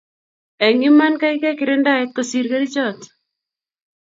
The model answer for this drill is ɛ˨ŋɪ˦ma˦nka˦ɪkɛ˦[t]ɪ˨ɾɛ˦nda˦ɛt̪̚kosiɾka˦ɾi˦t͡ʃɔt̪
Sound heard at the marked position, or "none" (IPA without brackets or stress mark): k